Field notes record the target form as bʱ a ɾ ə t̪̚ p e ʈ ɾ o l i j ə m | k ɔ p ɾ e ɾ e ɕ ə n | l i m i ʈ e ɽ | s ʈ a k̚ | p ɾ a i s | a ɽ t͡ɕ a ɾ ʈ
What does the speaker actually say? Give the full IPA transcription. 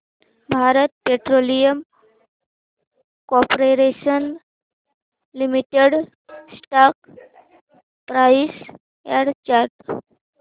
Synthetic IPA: bʱ a ɾ ə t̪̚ p e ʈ ɾ o l i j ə m | k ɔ p ɾ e ɾ e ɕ ə n | l i m i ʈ e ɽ | s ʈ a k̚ | p ɾ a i s | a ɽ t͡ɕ a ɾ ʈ